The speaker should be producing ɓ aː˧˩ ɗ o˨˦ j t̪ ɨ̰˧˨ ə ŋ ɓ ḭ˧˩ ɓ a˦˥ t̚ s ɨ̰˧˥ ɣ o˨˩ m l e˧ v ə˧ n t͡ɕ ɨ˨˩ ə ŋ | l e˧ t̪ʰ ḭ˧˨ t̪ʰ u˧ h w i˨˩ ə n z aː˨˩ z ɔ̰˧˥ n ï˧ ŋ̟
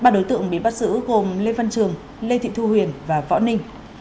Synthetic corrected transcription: ɓ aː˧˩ ɗ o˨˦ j t̪ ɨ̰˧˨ ə ŋ ɓ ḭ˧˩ ɓ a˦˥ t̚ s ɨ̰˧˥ ɣ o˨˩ m l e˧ v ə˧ n t͡ɕ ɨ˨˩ ə ŋ | l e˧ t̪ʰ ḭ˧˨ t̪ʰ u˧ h w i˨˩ ə n v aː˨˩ v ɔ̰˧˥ n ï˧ ŋ̟